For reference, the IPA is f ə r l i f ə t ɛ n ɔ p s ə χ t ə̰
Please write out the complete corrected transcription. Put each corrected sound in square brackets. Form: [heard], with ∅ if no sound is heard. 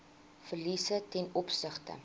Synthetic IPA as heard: f ə r l i [s] ə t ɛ n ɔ p s ə χ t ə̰